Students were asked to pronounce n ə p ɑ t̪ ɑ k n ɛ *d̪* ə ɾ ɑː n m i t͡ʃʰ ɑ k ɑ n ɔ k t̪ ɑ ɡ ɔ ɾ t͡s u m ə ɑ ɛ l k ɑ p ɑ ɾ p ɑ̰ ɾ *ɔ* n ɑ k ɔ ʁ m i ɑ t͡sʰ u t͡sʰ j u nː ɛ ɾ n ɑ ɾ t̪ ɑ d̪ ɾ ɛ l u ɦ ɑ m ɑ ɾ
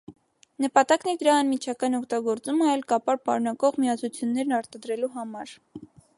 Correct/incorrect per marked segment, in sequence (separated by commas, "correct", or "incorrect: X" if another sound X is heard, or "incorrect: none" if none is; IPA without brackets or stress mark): correct, incorrect: u